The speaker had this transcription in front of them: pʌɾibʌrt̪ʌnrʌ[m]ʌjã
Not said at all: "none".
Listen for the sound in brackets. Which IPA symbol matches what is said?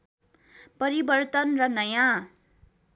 n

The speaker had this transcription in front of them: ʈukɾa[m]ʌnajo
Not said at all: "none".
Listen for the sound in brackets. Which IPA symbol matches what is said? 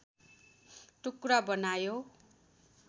b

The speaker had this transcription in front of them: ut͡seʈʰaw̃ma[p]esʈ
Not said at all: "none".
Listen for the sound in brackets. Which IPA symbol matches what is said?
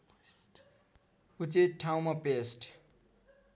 p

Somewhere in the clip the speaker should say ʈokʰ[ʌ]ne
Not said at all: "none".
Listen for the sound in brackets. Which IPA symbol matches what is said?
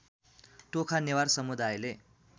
a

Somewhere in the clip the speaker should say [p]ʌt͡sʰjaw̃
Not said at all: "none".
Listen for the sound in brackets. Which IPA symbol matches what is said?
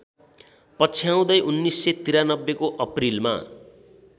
p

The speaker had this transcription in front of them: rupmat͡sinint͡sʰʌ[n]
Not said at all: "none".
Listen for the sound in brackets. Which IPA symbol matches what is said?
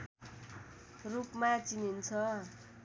none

